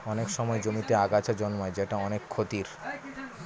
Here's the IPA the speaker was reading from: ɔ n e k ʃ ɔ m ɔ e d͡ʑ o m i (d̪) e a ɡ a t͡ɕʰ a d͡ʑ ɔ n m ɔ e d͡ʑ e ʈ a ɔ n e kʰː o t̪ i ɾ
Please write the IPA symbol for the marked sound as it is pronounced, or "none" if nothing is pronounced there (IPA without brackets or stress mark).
t̪